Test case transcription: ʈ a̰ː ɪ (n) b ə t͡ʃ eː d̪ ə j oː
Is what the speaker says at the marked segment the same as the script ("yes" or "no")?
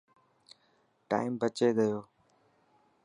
no